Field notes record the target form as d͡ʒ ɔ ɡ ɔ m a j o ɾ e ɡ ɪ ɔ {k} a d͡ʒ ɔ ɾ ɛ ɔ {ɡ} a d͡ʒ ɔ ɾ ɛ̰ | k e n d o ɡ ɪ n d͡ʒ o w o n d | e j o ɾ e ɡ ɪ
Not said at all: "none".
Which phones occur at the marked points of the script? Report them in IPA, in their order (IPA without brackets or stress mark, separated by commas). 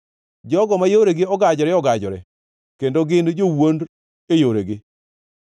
ɡ, ɡ